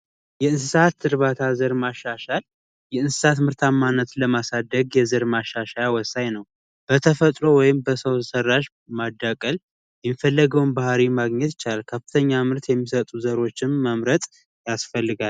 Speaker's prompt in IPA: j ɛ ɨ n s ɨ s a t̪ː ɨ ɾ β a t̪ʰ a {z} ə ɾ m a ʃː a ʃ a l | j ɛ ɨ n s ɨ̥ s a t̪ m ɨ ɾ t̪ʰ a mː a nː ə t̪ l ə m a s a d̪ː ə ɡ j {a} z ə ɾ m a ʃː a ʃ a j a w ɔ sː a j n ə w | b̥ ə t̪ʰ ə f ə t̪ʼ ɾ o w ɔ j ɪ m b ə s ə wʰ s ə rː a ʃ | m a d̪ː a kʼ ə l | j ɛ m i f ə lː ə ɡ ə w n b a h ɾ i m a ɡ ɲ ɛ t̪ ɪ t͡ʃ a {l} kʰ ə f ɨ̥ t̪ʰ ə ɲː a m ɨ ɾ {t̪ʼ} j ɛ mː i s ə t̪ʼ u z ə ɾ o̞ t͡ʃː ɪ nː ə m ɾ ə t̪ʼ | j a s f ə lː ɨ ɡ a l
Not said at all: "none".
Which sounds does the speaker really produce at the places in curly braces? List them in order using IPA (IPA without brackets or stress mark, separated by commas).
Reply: z, ɛ, l, t̪